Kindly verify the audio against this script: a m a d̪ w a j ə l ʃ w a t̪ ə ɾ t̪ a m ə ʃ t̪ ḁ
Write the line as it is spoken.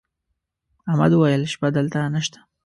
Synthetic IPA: a m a d̪ w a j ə l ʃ b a d̪ ə l t̪ a n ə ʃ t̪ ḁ